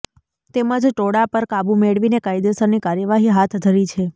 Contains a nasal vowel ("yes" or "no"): no